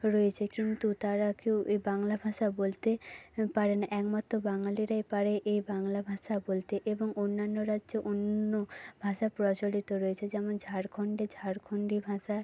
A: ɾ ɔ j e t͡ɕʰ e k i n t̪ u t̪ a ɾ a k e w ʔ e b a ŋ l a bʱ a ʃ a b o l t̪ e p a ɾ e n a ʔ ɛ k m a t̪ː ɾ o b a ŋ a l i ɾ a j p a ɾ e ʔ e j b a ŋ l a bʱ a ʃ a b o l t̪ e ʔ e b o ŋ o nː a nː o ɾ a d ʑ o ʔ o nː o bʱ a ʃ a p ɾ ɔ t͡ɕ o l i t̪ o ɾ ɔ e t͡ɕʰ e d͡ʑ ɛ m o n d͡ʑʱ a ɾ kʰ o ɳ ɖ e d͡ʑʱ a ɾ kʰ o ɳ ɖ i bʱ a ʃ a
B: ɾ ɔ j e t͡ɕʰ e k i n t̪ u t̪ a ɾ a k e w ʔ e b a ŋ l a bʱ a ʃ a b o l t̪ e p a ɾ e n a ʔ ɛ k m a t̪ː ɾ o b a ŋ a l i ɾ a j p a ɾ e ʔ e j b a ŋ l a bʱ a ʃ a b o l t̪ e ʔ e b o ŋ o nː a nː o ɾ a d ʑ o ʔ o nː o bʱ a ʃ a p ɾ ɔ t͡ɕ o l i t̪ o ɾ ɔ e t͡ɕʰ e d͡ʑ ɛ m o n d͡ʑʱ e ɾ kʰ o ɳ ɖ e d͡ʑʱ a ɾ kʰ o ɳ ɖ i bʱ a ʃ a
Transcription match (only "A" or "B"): A